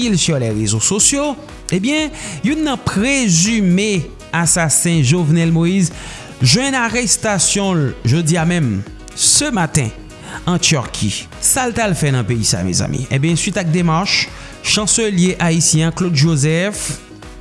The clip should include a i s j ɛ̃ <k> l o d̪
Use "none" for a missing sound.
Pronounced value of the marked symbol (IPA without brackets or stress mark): k